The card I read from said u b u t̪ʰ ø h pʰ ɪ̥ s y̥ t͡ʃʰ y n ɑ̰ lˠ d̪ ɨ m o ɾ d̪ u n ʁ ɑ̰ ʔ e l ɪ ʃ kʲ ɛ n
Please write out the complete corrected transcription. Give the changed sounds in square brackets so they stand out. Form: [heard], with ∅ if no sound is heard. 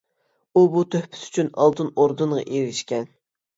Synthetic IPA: u b u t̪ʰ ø h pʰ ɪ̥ s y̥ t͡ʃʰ y n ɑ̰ lˠ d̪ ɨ [n] o ɾ d̪ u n ʁ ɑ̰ ʔ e [ɾ] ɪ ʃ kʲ ɛ n